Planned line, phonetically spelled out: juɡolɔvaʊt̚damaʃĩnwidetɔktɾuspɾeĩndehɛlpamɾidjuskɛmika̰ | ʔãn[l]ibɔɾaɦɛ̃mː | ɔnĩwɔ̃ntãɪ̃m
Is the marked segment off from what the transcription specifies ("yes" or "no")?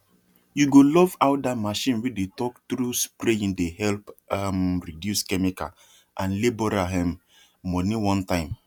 no